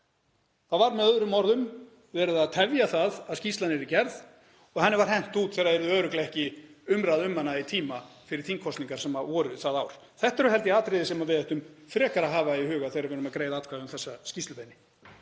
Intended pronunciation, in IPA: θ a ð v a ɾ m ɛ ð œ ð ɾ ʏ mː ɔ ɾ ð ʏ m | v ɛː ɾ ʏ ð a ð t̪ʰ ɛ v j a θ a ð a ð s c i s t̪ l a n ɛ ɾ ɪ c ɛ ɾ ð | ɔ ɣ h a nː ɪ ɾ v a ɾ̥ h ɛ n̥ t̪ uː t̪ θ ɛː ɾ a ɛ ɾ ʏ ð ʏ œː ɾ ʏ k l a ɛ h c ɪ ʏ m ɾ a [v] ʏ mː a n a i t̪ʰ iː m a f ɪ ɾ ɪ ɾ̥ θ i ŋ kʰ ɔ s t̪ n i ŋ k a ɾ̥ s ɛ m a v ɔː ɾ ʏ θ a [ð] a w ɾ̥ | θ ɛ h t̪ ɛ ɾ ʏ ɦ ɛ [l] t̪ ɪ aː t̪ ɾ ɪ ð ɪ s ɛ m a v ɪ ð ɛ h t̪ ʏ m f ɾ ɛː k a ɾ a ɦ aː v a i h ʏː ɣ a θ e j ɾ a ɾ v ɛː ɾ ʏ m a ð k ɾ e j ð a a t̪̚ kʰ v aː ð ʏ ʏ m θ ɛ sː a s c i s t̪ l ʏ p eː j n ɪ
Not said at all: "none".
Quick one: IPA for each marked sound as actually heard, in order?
ð, ð, l

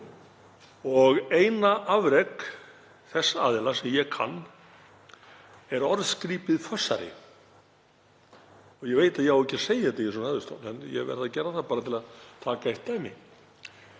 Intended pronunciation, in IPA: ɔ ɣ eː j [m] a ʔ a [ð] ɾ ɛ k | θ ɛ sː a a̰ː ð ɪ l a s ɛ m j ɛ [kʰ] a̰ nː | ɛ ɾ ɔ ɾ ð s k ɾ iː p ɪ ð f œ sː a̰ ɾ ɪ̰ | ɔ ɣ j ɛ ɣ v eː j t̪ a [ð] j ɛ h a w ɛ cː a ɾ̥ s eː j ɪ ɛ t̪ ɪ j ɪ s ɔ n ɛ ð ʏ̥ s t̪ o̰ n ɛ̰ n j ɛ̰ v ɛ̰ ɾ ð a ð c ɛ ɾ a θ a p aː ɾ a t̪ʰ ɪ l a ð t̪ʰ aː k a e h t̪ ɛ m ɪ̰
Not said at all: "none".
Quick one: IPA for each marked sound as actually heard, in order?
n, v, kʰ, ð

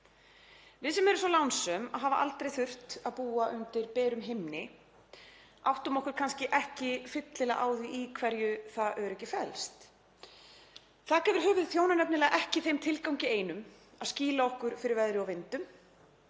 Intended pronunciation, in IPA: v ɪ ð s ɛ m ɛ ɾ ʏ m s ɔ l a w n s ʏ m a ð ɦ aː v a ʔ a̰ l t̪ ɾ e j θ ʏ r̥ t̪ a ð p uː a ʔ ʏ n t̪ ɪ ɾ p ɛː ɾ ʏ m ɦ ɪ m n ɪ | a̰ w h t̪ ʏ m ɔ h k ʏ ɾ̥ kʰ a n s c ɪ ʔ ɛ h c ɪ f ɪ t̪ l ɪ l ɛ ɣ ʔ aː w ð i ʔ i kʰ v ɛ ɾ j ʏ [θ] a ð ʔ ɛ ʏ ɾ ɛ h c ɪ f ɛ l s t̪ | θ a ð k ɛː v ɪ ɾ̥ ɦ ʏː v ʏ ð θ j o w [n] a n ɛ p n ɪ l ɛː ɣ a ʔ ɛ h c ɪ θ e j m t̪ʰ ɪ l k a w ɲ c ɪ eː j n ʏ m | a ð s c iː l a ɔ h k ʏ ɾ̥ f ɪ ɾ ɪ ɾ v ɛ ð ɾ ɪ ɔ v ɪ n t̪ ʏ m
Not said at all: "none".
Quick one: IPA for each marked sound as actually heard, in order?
θ, n

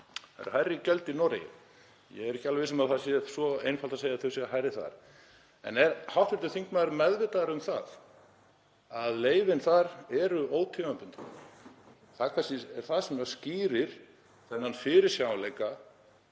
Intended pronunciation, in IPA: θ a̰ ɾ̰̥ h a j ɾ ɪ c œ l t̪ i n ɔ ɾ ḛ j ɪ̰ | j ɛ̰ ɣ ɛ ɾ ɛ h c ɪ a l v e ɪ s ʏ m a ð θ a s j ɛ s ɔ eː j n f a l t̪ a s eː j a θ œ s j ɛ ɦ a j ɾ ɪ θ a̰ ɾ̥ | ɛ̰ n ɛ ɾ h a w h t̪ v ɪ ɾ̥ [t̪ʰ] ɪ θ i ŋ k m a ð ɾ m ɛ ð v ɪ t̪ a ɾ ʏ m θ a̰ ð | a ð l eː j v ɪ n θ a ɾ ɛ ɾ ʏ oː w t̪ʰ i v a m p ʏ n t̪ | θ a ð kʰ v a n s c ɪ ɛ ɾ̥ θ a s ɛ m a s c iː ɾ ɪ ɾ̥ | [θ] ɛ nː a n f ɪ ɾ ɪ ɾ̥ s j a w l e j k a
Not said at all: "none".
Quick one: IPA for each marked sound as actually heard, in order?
t̪, θ

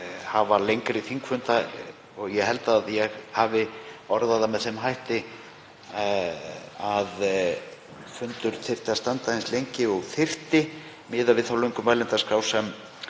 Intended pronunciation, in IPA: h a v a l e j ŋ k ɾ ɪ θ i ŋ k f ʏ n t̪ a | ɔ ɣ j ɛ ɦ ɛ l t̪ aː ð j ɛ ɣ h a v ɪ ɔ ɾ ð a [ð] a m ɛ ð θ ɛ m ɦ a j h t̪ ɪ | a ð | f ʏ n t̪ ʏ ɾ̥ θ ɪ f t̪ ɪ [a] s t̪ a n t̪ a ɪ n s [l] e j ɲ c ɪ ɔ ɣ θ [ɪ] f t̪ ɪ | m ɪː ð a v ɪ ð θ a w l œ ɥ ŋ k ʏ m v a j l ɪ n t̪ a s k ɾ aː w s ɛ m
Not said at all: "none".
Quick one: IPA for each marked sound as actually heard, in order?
ð, a, l, ɪ

